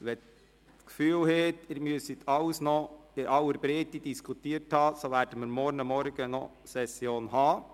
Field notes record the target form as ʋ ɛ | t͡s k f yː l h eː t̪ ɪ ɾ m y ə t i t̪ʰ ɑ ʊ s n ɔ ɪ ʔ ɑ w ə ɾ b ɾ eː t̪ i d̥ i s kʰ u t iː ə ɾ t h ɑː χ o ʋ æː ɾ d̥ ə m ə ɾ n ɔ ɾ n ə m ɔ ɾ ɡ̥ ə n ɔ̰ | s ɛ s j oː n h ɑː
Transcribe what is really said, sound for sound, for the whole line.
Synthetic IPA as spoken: ʋ ɛ | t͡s k f yː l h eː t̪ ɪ ɾ m y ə s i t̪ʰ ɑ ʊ s n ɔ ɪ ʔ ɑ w ə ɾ b ɾ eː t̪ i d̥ i s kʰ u t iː ə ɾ t h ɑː s o ʋ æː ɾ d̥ ə m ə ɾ m ɔ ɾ n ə m ɔ ɾ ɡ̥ ə n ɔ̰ | s ɛ s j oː n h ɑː

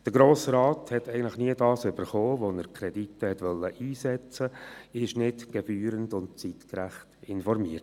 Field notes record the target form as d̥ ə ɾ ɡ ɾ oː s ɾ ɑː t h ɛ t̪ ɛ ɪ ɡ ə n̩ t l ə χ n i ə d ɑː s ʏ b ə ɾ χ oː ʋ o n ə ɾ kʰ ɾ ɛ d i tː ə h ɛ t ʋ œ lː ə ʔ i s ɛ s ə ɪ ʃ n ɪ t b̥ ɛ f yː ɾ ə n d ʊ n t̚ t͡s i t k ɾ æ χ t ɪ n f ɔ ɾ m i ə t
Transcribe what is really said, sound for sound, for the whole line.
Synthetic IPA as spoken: d̥ ə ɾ ɡ ɾ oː s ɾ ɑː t h ɛ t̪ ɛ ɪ ɡ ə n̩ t l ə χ n i ə d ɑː s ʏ b ə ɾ χ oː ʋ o n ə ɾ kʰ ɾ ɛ d i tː ə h ɛ t ʋ œ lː ə ʔ iː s ɛ t͡s ə ɪ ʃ n ɪ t ɡ̥ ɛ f yː ɾ ə n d ʊ n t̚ t͡s i t k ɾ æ χ t ɪ n f ɔ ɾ m i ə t

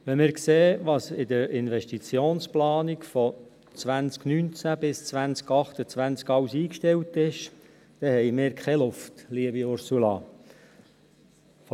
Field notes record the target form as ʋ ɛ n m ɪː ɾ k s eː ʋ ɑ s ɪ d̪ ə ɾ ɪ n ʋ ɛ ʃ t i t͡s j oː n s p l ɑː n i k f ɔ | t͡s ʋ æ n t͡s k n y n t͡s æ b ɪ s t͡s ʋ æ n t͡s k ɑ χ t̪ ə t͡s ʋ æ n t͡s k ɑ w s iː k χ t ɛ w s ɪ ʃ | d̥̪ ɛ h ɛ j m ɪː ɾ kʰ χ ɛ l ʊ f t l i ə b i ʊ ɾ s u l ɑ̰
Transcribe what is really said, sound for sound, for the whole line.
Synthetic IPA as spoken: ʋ ɛ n m ɪː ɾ k s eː ʋ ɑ s ɪ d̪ ə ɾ ɪ n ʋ ɛ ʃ t i t͡s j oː n s p l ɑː n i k f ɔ | t͡s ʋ æ n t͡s k n y n t͡s æ b ɪ s t͡s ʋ æ n t͡s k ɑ χ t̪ ə t͡s ʋ æ n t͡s k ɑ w s iː k ʃ t ɛ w t ɪ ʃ | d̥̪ ɛ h ɛ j m ɪː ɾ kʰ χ ɛ l ʊ f t l i ə b i ʊ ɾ s u l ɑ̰

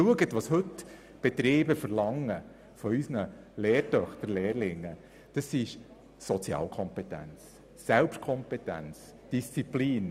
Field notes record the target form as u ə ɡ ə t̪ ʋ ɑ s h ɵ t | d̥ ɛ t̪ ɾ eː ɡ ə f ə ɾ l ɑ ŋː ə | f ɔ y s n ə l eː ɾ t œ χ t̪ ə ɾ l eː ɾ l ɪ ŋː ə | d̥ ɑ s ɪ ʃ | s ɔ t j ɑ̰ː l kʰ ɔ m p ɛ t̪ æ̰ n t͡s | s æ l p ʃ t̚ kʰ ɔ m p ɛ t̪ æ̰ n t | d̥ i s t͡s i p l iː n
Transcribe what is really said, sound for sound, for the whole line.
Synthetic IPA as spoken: u ə ɡ ə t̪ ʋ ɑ s h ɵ t | b̥ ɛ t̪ ɾ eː b ə f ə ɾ l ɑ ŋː ə | f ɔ y s n ə l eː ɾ t œ χ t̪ ə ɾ l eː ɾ l ɪ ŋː ə | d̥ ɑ s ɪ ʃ | s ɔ t͡s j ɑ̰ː l kʰ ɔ m p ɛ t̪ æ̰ n t͡s | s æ l p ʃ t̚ kʰ ɔ m p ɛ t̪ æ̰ n t͡s | d̥ i s t͡s i p l iː n

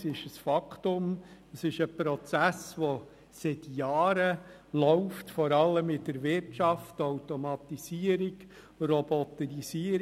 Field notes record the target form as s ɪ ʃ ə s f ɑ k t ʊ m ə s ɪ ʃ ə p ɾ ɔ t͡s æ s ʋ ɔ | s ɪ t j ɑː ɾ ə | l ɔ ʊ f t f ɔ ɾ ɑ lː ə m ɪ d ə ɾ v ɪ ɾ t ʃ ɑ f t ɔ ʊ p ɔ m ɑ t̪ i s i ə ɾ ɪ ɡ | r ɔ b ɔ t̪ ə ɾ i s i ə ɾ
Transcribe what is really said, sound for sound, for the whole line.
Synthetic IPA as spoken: s ɪ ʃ ə s f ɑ k t ʊ m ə s ɪ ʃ ə p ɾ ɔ t͡s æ s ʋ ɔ | s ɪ t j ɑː ɾ ə | l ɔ ʊ f t f ɔ ɾ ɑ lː ə m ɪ d ə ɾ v ɪ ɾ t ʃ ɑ f t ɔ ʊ t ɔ m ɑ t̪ i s i ə ɾ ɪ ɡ | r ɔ b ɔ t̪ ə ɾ i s i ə ɾ

